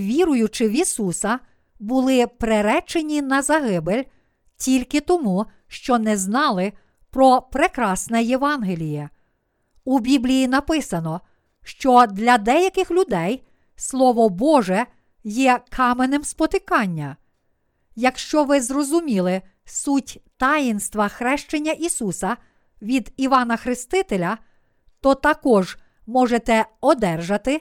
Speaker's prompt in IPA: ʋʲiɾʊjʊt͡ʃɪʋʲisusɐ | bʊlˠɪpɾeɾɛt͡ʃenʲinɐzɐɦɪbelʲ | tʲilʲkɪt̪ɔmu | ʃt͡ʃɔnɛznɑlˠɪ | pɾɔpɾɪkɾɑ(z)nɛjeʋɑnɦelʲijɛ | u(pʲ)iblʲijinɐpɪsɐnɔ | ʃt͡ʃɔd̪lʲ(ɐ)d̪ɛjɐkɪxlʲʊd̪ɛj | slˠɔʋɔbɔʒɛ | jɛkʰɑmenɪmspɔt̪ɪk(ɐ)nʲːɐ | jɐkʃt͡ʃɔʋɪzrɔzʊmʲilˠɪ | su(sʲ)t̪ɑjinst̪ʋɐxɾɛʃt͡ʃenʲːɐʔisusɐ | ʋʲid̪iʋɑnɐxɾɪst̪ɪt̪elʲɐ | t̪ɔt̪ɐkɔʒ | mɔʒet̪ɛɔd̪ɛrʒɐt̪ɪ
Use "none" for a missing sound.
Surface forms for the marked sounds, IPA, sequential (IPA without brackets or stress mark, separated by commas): s, bʲ, ɐ, ɑ, tʲ